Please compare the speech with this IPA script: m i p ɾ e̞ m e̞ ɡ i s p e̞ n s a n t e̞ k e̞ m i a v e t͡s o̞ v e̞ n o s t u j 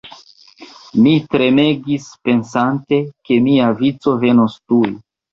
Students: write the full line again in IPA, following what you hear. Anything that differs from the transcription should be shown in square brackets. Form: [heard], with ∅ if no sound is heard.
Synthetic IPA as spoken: m i [t] ɾ e̞ m e̞ ɡ i s p e̞ n s a n t e̞ k e̞ m i a v [i] t͡s o̞ v e̞ n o s t u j